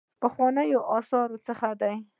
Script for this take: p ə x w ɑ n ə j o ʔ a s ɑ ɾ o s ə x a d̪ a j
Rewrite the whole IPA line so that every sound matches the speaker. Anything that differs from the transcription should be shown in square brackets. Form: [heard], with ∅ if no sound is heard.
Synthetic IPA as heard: p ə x w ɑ n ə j o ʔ [ɑ] s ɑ ɾ o [t͡s] ə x a d̪ a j